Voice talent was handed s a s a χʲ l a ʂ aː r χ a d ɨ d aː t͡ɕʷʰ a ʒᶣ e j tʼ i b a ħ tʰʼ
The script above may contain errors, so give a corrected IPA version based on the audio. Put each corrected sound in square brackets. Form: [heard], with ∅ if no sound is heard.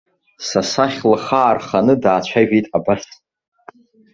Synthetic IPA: s a s a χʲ l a [χ] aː r χ a [n] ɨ d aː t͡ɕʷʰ a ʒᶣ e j tʼ [a] b a [s] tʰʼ